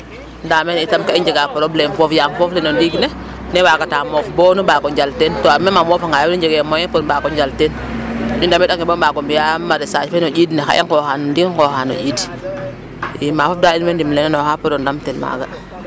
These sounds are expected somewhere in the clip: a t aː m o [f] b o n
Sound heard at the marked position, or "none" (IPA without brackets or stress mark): f